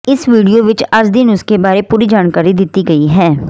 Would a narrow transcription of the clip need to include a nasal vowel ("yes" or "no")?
no